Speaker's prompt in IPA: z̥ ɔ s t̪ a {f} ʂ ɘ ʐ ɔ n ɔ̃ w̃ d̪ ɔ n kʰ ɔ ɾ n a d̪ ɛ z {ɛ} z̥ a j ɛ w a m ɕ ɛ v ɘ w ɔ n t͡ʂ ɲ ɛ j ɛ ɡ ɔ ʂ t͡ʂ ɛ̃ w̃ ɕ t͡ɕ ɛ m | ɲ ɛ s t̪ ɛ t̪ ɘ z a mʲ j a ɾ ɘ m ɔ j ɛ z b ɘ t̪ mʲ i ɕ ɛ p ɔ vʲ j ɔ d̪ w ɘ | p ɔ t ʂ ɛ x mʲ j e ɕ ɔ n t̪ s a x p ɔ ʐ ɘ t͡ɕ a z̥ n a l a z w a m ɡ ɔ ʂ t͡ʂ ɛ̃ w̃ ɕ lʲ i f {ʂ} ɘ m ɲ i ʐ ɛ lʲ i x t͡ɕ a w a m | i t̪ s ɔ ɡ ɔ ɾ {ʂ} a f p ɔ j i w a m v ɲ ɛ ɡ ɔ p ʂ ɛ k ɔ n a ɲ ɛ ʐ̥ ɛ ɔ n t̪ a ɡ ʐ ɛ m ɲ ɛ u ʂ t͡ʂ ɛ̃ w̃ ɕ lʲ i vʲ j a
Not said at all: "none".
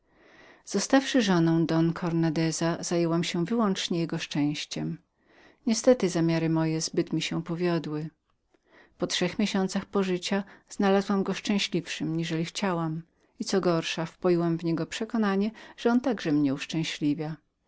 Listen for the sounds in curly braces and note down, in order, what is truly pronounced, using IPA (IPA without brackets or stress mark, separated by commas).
f, a, ʂ, ʂ